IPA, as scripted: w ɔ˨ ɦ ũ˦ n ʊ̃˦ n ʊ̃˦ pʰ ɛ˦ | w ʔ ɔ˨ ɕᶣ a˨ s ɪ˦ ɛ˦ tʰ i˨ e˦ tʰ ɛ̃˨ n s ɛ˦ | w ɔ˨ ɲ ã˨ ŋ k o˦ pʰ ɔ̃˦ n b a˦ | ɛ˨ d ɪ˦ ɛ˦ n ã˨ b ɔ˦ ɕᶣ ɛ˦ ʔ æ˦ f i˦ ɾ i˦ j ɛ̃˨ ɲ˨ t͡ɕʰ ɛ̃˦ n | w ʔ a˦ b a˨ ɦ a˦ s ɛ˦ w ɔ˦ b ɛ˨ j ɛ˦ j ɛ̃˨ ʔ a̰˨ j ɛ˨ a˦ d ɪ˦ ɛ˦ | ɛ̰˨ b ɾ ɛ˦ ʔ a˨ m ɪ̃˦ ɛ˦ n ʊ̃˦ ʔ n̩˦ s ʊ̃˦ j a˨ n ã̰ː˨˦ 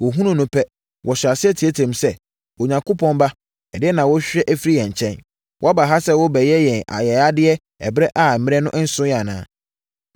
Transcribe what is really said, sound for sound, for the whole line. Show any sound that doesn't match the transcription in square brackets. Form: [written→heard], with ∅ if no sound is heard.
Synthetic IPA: w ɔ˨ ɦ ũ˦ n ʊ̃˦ n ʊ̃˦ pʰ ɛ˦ | w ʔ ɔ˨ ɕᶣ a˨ s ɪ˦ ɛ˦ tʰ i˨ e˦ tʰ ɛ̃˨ [n→m] s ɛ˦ | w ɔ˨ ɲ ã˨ ŋ k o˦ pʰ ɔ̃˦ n b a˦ | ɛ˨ d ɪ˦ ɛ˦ n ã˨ [b→w] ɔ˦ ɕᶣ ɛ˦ ʔ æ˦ f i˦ ɾ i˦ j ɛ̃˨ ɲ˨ t͡ɕʰ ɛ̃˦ n | w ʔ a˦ b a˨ ɦ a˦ s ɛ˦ w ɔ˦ b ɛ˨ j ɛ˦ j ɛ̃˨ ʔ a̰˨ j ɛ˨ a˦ d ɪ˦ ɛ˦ | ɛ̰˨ b ɾ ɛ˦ ʔ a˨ m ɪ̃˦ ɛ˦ n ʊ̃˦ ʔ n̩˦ s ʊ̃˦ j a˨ n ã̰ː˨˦